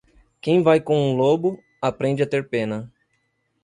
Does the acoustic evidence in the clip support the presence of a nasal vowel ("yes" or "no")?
yes